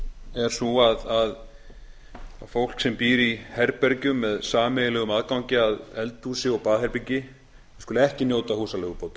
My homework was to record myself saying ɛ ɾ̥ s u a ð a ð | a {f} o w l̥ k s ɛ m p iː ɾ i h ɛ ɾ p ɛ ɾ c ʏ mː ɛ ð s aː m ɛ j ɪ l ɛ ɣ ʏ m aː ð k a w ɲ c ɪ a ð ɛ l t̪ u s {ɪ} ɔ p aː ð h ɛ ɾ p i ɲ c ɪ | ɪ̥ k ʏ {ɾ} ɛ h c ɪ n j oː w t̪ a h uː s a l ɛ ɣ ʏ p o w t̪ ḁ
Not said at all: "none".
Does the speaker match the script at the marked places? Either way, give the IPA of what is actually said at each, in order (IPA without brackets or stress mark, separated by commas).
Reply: f, ɪ, l